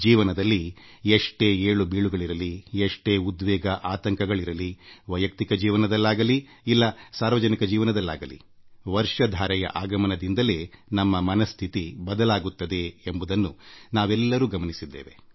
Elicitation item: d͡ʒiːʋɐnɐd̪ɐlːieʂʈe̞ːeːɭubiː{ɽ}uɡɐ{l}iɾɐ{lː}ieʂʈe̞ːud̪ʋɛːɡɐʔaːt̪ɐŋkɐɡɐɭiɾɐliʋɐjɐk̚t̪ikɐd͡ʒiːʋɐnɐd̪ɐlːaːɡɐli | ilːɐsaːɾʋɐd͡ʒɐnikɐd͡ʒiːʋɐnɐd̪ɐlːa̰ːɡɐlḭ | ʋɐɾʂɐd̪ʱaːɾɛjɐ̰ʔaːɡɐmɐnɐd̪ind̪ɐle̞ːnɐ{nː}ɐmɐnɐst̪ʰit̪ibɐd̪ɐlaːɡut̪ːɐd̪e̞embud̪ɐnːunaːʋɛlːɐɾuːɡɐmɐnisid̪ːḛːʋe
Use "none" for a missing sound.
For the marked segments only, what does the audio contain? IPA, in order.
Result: ɭ, ɭ, l, mː

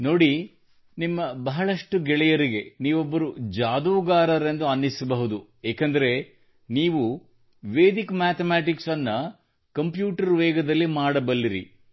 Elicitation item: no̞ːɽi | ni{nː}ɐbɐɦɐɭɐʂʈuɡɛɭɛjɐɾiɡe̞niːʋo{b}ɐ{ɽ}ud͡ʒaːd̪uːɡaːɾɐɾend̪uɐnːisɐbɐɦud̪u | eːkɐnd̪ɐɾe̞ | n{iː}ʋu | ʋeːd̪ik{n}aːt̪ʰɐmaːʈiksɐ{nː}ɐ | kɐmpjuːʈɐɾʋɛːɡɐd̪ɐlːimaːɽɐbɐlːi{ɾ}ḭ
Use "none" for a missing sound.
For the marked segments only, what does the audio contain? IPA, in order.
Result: mː, bː, ɾ, iː, m, nː, ɾ

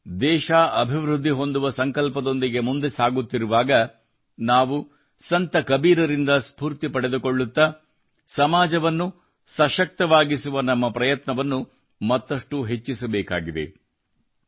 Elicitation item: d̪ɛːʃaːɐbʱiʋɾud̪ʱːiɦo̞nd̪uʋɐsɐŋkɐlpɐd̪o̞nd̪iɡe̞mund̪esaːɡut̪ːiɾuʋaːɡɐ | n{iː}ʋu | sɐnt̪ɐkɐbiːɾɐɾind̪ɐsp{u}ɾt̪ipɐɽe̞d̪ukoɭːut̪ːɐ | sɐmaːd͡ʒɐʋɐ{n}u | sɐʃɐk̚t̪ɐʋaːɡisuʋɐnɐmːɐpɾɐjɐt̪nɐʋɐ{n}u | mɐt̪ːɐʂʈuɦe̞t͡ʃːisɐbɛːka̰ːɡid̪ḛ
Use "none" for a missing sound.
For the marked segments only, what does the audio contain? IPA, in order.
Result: aː, uː, nː, nː

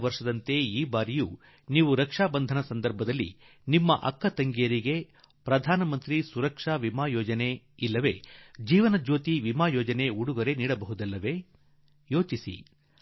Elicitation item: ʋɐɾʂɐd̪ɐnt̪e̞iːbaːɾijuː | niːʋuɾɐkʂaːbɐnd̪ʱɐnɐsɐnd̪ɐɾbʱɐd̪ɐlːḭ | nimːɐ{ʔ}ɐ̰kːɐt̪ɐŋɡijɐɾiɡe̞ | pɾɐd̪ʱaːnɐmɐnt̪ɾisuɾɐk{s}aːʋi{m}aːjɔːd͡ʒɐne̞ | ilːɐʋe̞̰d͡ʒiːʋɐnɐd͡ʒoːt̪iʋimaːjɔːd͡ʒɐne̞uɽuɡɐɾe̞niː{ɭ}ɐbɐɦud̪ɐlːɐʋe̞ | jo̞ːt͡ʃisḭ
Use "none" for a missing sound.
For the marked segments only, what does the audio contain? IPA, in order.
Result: ʔ, ʂ, m, ɽ

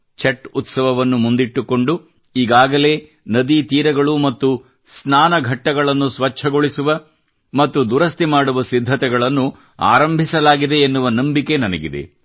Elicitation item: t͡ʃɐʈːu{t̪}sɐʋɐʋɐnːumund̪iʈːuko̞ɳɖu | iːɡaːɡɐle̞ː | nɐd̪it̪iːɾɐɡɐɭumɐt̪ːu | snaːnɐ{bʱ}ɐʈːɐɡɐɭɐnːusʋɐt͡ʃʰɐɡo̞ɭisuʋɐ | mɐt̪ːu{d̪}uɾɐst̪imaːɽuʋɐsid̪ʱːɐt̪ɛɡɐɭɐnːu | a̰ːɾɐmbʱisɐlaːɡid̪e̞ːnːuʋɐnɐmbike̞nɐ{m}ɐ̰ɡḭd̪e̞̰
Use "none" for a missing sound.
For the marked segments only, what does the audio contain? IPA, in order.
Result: t̪, ɡʱ, d̪, n

